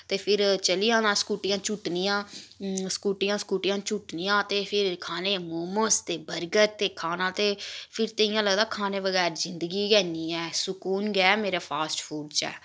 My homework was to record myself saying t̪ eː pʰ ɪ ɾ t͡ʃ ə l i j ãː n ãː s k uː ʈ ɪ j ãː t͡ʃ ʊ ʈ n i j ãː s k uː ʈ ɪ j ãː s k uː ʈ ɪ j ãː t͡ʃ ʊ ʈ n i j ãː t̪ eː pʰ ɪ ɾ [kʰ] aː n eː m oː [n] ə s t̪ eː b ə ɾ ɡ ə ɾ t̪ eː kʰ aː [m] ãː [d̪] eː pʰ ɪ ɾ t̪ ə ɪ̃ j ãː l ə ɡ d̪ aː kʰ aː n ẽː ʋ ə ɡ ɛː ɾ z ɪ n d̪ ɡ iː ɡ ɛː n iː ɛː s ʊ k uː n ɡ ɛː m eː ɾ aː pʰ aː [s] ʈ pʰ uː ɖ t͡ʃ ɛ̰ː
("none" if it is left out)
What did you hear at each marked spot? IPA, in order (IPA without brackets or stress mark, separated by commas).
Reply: kʰ, m, n, t̪, s